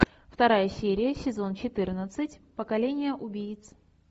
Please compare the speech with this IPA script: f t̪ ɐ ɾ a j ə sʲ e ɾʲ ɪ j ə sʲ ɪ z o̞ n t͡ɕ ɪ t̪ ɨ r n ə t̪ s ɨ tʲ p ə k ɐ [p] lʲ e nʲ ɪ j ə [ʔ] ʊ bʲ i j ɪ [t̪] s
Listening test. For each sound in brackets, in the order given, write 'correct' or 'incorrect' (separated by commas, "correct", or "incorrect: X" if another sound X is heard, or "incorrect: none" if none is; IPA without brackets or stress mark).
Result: incorrect: none, correct, correct